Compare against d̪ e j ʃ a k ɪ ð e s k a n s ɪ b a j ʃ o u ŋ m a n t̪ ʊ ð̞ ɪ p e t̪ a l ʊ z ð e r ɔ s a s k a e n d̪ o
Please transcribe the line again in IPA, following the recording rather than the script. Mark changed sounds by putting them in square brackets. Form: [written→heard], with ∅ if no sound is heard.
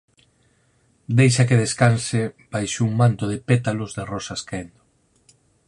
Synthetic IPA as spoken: d̪ e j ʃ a k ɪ ð e s k a n s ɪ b a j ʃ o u ŋ m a n t̪ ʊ ð̞ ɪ p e t̪ a l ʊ z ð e r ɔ s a s k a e n d̪ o

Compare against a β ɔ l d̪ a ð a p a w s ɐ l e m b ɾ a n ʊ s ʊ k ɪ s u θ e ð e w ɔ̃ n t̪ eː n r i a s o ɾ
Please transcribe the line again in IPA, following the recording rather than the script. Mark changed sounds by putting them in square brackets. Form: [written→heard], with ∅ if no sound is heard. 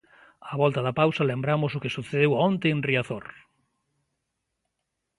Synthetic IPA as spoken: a β ɔ l [d̪→t̪] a ð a p a w s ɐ l e m b ɾ a [n→m] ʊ s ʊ k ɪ s u θ e ð e w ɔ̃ n t̪ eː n r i a [s→θ] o ɾ

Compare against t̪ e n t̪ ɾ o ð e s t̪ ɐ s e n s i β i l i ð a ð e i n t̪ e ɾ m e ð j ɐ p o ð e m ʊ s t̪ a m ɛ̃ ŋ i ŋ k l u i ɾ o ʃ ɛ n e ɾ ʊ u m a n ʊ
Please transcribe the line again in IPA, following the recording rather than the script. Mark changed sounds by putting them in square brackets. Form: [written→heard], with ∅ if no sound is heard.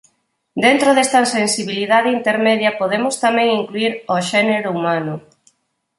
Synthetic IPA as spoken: [t̪→d̪] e n t̪ ɾ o ð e s t̪ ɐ s e n s i β i l i ð a ð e i n t̪ e ɾ m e ð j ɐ p o ð e m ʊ s t̪ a m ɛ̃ ŋ i ŋ k l u i ɾ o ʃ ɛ n e ɾ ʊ u m a n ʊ

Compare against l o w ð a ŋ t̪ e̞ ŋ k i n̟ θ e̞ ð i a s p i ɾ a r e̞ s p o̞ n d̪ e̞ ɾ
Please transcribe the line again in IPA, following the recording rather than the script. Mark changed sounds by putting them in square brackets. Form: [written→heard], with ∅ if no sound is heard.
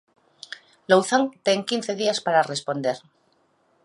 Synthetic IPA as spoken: l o w [ð→θ] a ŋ t̪ e̞ ŋ k i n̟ θ e̞ ð i a s p [i→a] ɾ a r e̞ s p o̞ n d̪ e̞ ɾ

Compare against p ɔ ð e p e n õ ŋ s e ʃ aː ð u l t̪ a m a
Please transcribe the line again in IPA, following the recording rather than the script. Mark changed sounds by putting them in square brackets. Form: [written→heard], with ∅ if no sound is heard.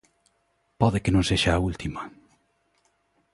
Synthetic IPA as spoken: p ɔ ð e [p→k] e n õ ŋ s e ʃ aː [ð→∅] u l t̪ [a→i] m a

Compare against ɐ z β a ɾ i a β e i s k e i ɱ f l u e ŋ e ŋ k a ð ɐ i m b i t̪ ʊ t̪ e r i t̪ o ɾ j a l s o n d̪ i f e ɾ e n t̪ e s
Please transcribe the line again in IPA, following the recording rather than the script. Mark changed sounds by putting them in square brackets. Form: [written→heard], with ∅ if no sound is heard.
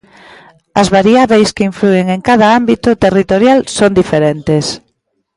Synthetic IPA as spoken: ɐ z β a ɾ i a β e [i→j] s k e i ɱ f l u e ŋ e ŋ k a ð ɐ [i→a] m b i t̪ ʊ t̪ e r i t̪ o ɾ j a l s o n d̪ i f e ɾ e n t̪ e s

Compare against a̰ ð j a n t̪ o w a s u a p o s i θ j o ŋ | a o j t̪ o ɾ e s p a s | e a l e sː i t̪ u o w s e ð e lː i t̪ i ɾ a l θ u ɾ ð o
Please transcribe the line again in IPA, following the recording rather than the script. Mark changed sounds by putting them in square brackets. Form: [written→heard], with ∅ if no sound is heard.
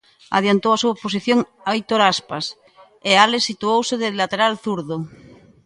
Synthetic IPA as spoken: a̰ ð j a n t̪ o w a s u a p o s i θ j o ŋ | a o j t̪ o ɾ [e→a] s p a s | e a l e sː i t̪ u o w s e ð e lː [i→a] t̪ [i→e] ɾ a l θ u ɾ ð o

